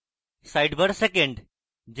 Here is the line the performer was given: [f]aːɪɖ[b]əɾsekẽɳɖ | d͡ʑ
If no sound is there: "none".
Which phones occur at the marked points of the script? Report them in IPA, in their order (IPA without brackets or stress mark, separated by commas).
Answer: s, b